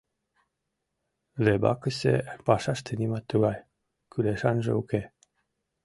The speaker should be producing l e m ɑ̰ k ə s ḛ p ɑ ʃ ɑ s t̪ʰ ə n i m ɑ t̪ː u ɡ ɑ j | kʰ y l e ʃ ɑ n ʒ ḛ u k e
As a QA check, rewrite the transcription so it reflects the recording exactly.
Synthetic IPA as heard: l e b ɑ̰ k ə s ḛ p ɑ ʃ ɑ ʃ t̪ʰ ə n i m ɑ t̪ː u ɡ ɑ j | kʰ y l e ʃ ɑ n ʒ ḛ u k e